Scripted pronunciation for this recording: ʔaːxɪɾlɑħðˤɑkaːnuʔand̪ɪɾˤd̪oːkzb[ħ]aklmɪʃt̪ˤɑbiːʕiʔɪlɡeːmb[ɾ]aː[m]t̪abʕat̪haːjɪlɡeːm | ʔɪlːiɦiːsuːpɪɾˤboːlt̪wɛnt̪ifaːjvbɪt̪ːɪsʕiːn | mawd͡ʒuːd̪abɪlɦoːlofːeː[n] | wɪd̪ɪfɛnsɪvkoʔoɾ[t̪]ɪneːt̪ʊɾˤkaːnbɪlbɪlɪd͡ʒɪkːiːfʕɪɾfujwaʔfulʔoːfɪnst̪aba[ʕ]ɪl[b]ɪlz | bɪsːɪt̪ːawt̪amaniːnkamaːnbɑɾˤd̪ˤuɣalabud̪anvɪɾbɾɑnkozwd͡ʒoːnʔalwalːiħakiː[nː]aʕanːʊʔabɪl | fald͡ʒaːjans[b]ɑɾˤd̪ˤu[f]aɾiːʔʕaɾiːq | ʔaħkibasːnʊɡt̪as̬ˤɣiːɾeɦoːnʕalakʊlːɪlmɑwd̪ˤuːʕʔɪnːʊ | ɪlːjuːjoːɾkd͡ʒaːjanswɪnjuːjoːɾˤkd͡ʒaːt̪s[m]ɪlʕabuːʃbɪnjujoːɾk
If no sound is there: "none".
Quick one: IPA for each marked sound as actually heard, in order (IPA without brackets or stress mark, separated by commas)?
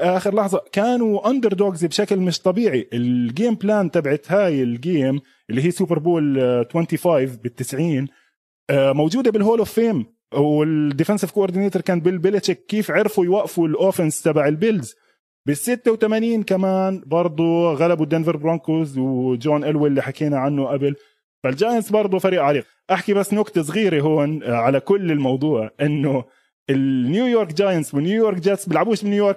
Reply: ʃ, l, n, m, d̪, ʕ, b, n, b, f, b